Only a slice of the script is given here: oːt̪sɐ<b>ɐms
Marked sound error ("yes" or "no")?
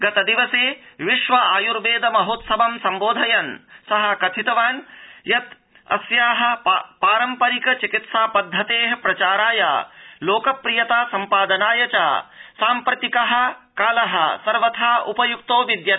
no